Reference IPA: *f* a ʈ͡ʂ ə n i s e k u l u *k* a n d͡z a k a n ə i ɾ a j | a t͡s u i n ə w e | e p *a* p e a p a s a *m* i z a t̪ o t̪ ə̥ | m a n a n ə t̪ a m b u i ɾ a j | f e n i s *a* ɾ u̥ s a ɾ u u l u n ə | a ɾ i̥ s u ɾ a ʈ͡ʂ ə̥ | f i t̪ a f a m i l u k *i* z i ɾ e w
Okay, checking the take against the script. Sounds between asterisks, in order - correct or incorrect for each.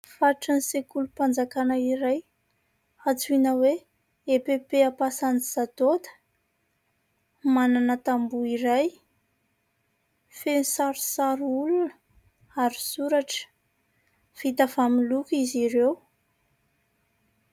correct, incorrect: p, incorrect: e, incorrect: n, correct, correct

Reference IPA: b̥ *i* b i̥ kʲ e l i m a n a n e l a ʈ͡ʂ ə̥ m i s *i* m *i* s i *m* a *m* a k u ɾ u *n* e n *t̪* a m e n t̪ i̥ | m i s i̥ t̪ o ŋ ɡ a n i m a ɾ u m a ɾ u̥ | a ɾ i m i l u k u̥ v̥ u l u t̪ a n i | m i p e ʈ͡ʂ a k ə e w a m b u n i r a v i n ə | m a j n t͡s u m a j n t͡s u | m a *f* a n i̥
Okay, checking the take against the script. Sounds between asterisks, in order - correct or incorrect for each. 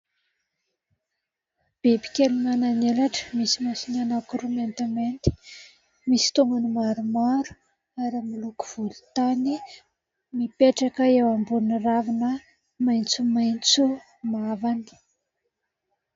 incorrect: e, correct, incorrect: a, incorrect: n, incorrect: n, incorrect: m, correct, incorrect: v

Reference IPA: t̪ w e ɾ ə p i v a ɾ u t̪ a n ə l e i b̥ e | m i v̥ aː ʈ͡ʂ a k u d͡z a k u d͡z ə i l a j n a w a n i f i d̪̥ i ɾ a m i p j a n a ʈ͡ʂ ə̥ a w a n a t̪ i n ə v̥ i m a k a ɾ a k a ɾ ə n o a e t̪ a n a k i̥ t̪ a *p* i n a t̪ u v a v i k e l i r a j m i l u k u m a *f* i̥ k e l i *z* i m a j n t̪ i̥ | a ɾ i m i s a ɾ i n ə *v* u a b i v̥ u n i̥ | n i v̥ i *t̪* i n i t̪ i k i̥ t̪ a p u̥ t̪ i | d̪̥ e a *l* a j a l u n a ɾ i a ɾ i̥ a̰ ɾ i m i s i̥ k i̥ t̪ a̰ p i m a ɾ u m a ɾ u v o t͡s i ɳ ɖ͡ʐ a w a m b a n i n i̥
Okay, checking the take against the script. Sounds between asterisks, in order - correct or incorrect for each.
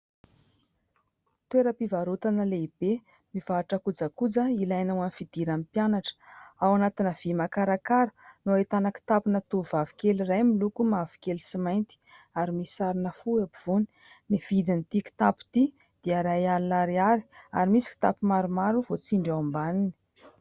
correct, incorrect: v, incorrect: s, incorrect: f, incorrect: d̪, incorrect: ɾ

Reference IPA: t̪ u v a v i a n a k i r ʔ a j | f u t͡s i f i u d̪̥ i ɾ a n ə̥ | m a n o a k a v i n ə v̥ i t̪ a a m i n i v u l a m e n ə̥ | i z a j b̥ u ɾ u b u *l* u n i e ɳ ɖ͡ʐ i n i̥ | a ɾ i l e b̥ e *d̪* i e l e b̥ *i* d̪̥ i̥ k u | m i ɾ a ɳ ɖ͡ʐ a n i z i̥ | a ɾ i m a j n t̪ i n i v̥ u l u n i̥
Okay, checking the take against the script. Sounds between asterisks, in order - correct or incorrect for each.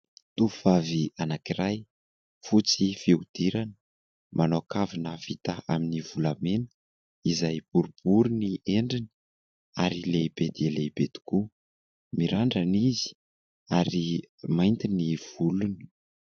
incorrect: ɾ, correct, incorrect: e

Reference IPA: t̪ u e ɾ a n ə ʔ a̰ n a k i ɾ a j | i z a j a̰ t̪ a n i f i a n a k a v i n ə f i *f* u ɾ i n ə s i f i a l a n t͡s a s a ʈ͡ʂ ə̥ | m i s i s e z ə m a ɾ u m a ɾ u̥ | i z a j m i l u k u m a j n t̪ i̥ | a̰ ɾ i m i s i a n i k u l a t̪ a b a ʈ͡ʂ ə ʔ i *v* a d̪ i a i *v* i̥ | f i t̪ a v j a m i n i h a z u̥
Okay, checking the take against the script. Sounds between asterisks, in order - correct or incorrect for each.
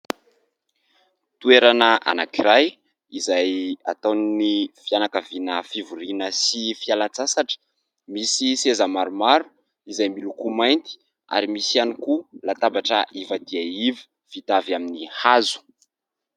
incorrect: v, correct, correct

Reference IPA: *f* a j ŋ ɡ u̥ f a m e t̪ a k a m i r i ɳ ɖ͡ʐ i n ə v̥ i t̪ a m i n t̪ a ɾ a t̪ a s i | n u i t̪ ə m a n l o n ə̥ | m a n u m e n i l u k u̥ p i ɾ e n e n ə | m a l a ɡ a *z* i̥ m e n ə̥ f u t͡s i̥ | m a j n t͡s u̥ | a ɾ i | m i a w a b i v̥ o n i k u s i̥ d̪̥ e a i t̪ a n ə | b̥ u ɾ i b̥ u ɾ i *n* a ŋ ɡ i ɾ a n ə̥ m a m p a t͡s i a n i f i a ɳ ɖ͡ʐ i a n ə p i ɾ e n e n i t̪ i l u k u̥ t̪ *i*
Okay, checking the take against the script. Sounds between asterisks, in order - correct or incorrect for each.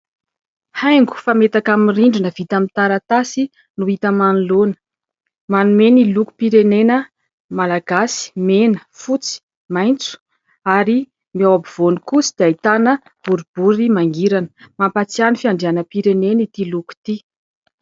incorrect: h, incorrect: s, incorrect: m, correct

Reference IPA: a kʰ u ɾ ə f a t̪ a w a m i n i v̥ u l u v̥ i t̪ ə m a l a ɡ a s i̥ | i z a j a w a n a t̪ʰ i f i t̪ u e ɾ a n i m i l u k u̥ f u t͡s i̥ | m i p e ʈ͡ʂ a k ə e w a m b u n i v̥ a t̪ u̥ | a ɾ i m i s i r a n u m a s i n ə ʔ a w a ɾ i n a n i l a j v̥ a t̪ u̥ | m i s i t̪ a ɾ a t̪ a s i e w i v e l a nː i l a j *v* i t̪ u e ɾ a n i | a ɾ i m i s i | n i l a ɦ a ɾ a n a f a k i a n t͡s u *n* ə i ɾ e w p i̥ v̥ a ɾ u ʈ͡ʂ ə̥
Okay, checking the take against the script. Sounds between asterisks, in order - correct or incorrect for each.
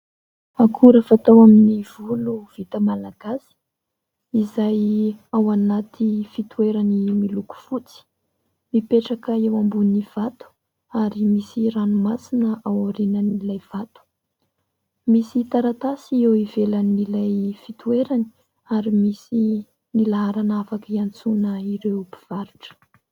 incorrect: f, correct

